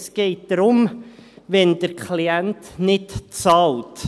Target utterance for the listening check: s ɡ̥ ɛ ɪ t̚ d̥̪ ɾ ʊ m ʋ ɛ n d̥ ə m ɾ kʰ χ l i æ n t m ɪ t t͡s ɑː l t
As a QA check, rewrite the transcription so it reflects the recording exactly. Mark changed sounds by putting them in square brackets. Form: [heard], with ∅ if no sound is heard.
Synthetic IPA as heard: s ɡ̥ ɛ ɪ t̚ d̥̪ ɾ ʊ m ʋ ɛ n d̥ ə [∅] ɾ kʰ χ l i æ n t [n] ɪ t t͡s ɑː l t